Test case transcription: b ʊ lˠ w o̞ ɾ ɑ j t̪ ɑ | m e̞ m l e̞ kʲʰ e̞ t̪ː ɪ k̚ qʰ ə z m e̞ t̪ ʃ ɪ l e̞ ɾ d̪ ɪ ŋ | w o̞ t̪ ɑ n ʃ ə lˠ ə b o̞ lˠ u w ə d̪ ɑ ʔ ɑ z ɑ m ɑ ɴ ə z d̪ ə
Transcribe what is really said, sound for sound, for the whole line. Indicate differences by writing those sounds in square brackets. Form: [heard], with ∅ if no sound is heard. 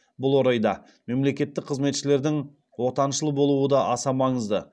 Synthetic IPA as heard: b ʊ lˠ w o̞ ɾ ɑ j [d̪] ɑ | m e̞ m l e̞ [kʲ] e̞ t̪ː ɪ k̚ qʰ ə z m e̞ t̪ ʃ ɪ l e̞ ɾ d̪ ɪ ŋ | w o̞ t̪ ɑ n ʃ ə lˠ ə b o̞ lˠ u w ə d̪ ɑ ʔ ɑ [s] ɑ m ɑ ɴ ə z d̪ ə